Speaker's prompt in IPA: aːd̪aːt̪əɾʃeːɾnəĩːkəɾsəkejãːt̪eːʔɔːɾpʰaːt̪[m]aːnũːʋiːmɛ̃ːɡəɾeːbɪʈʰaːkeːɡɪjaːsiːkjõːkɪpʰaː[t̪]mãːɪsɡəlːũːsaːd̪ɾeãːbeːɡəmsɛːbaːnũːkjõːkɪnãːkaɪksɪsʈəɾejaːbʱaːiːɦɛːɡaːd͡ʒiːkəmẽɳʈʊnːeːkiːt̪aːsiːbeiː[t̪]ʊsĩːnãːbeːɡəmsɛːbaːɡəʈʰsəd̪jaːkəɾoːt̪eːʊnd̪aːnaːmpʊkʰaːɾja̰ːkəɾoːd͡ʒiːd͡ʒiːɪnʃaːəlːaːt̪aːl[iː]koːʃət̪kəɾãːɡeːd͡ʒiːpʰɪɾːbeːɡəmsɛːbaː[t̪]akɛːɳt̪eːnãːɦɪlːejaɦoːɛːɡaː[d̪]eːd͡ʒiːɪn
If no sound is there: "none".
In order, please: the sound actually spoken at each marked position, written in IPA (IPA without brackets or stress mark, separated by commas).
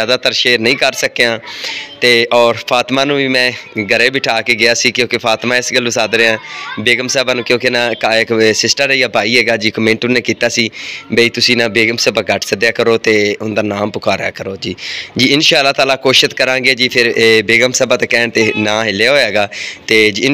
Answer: m, t̪, t̪, aː, t̪, t̪